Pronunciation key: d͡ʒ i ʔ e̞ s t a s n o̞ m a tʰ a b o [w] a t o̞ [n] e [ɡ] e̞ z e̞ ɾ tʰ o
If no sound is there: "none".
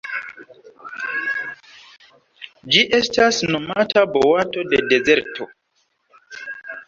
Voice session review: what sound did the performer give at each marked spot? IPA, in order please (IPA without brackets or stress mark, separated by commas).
w, d, d